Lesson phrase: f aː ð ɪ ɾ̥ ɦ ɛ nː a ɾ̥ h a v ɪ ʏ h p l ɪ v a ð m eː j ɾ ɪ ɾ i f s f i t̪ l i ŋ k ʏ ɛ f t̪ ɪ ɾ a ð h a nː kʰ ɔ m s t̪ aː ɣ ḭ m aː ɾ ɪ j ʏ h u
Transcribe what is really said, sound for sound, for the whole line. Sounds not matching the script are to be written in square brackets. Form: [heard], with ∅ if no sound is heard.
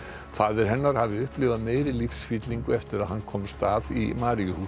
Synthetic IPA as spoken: f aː ð ɪ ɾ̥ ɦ ɛ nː a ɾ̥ h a v ɪ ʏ h p l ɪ v a ð m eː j ɾ ɪ [l] i f s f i t̪ l i ŋ k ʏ ɛ f t̪ ɪ ɾ a ð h a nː kʰ ɔ m s t̪ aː [ð] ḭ m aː ɾ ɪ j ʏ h u